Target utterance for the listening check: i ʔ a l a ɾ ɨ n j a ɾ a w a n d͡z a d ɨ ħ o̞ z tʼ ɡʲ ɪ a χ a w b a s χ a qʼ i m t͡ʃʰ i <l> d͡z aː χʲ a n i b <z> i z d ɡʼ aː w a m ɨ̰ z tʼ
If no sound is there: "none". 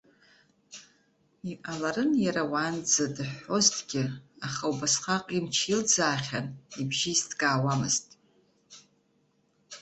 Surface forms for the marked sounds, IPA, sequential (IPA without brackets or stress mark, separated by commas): l, ʒ